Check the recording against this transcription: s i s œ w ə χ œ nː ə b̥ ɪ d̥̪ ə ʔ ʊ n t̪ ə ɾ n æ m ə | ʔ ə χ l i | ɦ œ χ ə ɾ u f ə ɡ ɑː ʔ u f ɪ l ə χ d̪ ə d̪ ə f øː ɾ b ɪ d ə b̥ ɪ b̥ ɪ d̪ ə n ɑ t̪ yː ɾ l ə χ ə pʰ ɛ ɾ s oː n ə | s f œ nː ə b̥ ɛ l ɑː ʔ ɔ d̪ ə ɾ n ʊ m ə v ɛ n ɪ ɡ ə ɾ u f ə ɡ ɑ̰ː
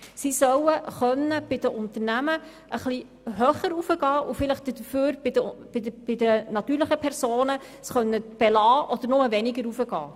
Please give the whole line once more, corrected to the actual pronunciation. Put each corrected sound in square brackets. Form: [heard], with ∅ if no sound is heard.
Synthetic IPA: s i s œ w ə χ œ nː ə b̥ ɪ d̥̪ ə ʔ ʊ n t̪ ə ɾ n æ m ə | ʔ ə χ l i | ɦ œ χ ə ɾ u f ə ɡ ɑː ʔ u f ɪ l ə χ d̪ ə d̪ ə f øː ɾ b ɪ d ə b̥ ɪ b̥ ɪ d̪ ə n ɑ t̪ yː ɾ l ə χ ə pʰ ɛ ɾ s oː n ə | s [χ] œ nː ə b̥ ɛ l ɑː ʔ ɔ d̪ ə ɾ n ʊ m ə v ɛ n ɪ ɡ ə ɾ u f ə ɡ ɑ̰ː